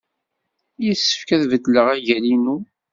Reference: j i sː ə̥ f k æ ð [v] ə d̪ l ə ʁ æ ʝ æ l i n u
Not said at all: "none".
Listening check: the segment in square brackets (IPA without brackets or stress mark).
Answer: v